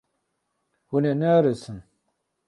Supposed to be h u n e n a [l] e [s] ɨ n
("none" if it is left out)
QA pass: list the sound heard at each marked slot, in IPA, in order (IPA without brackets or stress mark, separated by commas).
ɾ, s